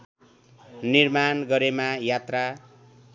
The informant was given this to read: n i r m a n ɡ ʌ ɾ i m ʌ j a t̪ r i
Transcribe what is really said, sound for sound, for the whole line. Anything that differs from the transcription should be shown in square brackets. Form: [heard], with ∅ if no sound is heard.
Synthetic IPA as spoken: n i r m a n ɡ ʌ ɾ [e] m [a] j a t̪ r [a]